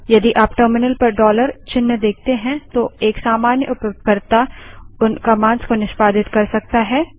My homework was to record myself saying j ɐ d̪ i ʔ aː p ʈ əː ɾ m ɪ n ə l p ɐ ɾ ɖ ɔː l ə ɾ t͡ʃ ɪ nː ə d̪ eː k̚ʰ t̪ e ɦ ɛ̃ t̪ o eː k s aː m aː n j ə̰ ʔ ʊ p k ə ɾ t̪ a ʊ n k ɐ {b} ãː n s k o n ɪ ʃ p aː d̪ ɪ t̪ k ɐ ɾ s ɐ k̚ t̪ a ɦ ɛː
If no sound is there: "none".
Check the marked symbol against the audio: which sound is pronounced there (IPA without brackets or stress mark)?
m